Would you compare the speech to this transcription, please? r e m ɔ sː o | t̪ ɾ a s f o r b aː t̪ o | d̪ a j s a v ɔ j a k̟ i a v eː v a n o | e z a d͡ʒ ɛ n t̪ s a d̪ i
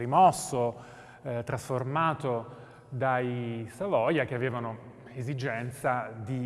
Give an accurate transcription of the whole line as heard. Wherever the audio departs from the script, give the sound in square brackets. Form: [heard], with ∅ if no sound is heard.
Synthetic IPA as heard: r [i] m ɔ sː o | t̪ ɾ a s f o r [m] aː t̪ o | d̪ a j s a v ɔ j a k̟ [e] a v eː v a n o | e z [i] d͡ʒ ɛ n t̪ s a d̪ i